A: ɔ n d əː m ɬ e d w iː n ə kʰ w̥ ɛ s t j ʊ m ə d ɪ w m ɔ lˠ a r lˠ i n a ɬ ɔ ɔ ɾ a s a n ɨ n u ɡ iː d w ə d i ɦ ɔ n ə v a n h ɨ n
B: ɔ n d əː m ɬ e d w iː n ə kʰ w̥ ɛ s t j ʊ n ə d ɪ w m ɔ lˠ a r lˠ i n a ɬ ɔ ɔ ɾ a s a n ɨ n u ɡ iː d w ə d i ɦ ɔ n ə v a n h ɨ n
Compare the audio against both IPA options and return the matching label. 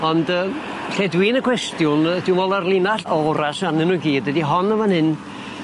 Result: B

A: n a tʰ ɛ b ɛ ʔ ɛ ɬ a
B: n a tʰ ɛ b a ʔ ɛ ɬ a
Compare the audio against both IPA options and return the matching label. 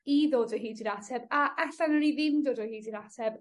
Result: B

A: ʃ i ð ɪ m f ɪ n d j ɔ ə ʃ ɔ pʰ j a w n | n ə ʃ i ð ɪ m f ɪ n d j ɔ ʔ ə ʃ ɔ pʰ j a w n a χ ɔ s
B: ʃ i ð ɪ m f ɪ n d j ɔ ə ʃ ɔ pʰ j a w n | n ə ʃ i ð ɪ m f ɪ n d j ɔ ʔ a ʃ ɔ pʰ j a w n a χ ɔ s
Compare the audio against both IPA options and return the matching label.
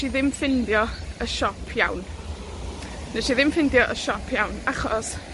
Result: A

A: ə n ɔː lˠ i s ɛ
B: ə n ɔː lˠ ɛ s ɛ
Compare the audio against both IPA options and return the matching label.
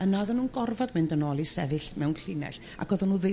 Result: A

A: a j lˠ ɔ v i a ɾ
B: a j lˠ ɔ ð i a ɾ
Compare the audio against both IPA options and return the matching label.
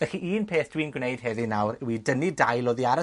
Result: B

